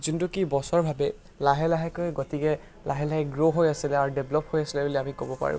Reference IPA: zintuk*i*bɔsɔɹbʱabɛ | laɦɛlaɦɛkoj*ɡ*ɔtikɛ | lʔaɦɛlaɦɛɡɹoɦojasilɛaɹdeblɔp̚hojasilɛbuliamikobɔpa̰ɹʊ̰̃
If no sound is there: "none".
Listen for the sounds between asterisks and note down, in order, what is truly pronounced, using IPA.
i, ɡ

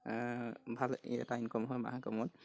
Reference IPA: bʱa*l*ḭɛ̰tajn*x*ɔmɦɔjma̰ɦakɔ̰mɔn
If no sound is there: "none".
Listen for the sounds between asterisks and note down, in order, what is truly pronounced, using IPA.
l, k

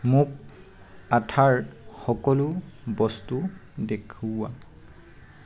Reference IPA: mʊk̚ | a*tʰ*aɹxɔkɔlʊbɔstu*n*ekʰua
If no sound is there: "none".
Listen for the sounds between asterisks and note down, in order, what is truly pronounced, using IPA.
tʰ, d

